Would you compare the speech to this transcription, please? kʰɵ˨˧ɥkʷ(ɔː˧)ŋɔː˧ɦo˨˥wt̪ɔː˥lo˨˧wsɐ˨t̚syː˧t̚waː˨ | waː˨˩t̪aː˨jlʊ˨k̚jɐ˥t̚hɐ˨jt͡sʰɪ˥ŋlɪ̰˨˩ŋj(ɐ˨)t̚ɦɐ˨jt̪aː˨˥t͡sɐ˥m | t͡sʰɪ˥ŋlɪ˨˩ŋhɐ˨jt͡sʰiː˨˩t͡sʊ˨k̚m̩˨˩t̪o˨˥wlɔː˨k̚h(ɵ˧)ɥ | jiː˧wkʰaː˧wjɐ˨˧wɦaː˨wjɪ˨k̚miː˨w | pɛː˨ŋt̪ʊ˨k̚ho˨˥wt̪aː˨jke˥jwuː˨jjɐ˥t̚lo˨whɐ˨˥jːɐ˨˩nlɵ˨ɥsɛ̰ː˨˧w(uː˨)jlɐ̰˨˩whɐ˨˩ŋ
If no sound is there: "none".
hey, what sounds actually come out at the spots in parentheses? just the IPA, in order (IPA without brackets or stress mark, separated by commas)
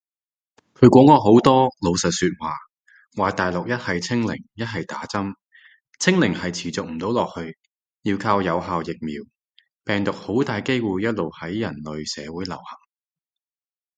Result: ɔː˨˥, ɐ˥, ɵ˧, uː˨˥